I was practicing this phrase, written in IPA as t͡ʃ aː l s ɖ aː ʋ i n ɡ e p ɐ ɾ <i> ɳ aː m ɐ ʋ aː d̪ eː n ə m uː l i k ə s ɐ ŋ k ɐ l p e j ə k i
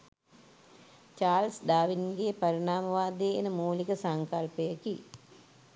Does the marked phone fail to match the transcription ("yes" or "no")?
no